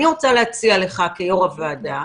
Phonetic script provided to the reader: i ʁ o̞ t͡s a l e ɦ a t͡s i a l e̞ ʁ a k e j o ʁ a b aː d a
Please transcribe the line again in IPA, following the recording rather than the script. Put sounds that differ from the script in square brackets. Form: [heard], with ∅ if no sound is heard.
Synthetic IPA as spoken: i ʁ o̞ t͡s a l e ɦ a t͡s i a l e̞ [χ] a k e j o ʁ a [v] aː d a